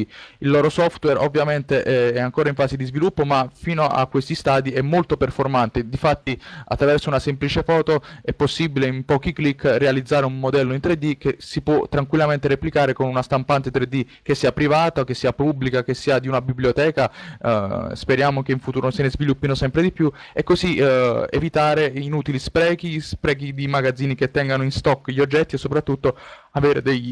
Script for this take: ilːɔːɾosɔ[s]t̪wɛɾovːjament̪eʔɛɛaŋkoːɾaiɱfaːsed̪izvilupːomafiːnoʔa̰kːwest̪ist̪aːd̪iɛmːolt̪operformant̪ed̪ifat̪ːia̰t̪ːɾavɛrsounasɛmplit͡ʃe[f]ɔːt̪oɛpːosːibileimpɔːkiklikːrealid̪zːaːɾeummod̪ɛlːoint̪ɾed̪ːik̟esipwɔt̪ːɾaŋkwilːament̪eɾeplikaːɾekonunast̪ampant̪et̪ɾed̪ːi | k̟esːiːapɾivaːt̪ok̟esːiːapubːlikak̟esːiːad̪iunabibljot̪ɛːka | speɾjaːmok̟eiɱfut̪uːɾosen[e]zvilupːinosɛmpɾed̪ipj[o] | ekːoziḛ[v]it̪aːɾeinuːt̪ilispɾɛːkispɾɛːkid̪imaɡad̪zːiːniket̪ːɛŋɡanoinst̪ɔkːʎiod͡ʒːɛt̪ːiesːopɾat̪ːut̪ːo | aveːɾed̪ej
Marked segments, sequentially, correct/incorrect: incorrect, correct, correct, incorrect, correct

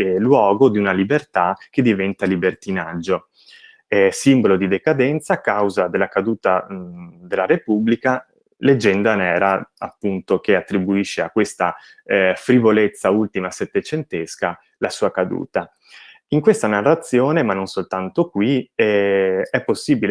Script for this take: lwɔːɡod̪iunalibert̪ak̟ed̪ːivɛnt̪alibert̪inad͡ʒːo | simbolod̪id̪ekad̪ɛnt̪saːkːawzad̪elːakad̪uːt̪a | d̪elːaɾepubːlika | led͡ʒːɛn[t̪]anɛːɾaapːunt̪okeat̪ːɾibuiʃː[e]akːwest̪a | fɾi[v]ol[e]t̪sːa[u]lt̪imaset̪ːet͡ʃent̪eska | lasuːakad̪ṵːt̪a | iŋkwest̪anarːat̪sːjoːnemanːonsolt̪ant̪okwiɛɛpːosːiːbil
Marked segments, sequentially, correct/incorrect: incorrect, correct, correct, correct, correct

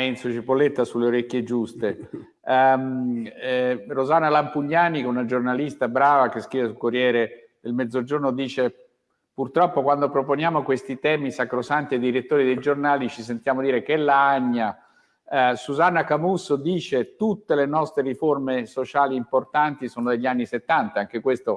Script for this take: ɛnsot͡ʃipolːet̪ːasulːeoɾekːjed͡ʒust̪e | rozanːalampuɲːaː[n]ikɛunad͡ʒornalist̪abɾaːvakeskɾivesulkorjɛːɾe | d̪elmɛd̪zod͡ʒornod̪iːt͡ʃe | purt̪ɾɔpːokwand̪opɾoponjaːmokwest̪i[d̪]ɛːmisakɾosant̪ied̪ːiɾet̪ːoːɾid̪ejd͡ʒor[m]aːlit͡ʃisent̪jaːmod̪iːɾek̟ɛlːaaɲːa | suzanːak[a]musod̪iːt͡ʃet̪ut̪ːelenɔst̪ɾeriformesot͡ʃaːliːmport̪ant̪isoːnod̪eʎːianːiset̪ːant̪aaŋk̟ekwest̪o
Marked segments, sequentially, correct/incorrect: correct, incorrect, incorrect, correct

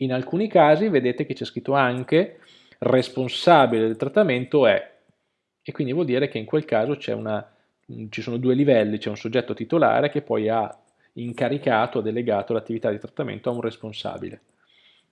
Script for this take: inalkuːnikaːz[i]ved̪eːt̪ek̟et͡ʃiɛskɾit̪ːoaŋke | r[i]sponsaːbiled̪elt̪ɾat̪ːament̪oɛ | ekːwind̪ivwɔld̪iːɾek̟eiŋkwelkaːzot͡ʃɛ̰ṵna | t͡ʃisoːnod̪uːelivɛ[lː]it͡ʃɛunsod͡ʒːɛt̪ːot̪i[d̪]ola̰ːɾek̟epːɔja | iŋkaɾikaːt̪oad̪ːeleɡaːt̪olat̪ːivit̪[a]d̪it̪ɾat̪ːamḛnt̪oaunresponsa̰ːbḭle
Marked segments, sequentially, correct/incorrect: correct, incorrect, correct, incorrect, correct

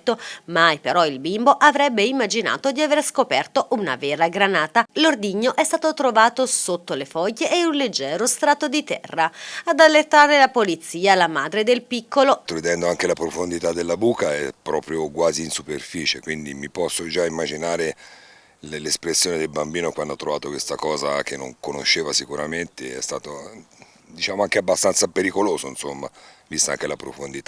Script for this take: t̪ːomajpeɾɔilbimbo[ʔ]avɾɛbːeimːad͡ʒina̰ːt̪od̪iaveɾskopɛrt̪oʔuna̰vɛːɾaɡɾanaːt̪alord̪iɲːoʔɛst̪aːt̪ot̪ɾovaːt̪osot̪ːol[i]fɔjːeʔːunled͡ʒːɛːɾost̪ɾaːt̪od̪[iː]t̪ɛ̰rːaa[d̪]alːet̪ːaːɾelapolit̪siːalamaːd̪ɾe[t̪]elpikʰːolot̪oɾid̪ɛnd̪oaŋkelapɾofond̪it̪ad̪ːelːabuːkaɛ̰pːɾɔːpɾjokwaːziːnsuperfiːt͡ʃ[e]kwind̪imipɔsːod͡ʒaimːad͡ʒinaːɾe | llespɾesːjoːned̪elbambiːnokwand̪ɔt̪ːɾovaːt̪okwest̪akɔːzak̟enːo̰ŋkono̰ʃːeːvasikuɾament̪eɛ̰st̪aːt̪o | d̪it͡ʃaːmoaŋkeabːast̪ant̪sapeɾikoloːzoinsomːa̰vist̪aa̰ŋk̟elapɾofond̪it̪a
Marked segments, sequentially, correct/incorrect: correct, incorrect, incorrect, correct, incorrect, correct

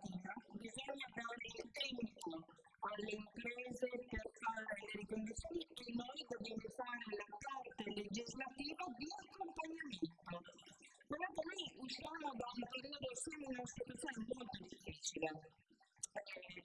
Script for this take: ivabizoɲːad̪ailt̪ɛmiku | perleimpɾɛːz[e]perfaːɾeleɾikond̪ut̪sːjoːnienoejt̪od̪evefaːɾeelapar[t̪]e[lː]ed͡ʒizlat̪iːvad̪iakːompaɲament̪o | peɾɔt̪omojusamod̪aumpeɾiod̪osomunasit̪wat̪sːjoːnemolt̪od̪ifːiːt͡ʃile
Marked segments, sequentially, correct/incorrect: correct, correct, incorrect

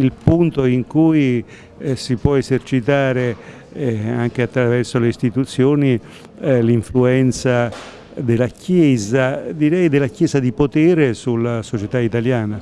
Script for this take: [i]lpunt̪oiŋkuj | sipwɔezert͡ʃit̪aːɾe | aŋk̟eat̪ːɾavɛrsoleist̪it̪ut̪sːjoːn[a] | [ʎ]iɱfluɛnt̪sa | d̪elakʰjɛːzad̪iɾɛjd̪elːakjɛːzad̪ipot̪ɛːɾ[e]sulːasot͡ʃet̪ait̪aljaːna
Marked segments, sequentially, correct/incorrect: correct, incorrect, incorrect, correct

